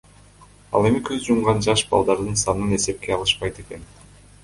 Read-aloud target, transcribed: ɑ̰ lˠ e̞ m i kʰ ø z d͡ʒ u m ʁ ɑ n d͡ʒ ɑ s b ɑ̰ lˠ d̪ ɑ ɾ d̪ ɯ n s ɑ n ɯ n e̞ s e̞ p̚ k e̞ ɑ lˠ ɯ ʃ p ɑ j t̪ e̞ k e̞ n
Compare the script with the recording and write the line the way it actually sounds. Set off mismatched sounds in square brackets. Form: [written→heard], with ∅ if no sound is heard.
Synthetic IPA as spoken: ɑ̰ lˠ e̞ m i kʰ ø z d͡ʒ u m ʁ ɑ n d͡ʒ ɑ [s→ʃ] b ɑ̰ lˠ d̪ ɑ ɾ d̪ ɯ n s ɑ n ɯ n e̞ s e̞ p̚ k e̞ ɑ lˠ ɯ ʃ p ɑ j t̪ e̞ k e̞ n